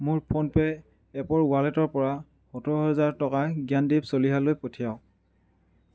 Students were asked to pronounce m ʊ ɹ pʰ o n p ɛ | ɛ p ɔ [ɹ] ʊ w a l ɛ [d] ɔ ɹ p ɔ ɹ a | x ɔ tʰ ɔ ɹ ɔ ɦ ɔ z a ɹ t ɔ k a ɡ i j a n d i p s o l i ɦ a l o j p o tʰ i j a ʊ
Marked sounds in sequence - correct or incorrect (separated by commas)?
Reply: correct, incorrect